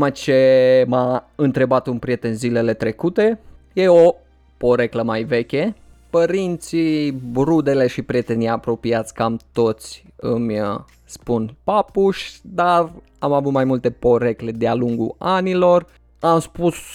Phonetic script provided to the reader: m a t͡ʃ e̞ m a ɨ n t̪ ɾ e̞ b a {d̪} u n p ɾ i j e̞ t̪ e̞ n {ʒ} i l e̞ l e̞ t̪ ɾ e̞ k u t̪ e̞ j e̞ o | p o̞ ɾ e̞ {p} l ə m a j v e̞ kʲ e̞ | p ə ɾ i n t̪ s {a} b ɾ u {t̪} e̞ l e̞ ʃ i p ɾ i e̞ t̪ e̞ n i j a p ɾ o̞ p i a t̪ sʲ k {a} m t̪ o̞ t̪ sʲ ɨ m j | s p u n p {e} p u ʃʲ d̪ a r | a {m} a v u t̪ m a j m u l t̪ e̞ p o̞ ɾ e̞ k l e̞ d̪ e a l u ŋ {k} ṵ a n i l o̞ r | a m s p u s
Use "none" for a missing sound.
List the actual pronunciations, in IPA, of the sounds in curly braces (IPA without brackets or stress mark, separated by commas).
t̪, z, k, i, d̪, a, a, m, ɡ